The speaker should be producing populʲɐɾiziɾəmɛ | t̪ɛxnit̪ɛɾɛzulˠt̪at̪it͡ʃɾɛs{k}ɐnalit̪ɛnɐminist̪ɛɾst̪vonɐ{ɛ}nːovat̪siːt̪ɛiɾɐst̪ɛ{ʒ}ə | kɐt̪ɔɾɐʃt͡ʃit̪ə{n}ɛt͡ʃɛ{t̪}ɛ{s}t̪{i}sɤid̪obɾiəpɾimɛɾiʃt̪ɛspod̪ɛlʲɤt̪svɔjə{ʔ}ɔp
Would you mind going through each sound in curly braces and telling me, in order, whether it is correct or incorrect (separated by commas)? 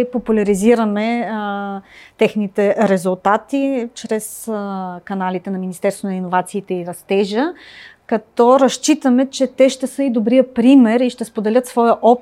correct, incorrect, correct, incorrect, correct, incorrect, incorrect, correct